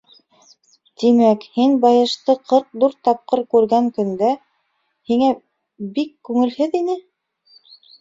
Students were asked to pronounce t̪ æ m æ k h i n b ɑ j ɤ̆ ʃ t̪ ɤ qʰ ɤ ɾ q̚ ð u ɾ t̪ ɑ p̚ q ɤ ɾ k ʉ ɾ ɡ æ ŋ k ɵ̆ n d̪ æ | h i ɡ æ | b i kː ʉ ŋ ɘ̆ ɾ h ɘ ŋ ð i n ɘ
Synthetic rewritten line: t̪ i m æ k h i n b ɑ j ɤ̆ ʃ t̪ ɤ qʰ ɤ ɾ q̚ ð u ɾ t̪ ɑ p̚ q ɤ ɾ k ʉ ɾ ɡ æ ŋ k ɵ̆ n d̪ æ | h i ŋ æ | b i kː ʉ ŋ ɘ̆ l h ɘ ð i n ɘ